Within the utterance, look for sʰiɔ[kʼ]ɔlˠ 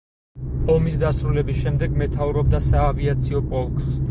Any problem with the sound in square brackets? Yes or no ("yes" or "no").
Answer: yes